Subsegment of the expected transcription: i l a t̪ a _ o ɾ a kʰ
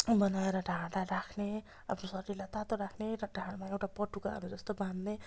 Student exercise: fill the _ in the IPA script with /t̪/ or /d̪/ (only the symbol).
t̪